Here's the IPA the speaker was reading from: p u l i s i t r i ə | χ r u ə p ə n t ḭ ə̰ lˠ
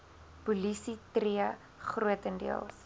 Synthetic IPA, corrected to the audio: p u l i s i t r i ə | χ r u ə t ə n d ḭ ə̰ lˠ